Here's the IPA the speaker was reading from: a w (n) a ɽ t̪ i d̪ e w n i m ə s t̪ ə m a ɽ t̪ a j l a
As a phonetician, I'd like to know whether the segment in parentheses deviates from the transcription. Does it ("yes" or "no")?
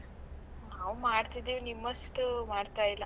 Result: yes